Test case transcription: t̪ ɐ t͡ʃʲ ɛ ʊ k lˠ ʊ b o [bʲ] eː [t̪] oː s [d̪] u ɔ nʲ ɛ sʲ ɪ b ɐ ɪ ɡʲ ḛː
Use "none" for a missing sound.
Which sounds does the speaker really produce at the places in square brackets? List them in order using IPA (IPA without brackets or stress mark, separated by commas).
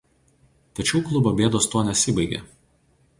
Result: bʲ, d̪, t̪